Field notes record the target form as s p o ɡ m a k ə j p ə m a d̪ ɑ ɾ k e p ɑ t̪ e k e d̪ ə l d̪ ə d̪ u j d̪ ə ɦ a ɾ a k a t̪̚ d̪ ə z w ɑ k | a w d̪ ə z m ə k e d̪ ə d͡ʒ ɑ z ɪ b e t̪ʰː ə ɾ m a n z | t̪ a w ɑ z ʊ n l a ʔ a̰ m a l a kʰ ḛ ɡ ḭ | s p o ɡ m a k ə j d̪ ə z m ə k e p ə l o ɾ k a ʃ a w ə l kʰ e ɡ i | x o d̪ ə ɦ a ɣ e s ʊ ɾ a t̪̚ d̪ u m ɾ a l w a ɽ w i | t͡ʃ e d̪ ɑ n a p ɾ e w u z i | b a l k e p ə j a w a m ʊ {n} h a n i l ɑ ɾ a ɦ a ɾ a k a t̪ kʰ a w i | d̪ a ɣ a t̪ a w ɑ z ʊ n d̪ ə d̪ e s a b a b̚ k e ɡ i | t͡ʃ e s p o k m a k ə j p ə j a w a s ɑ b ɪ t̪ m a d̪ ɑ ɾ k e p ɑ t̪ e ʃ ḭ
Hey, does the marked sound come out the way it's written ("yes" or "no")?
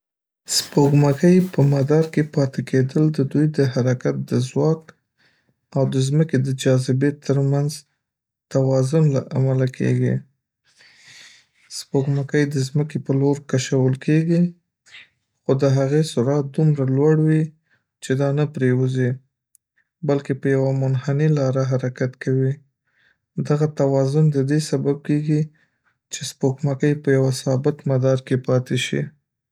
yes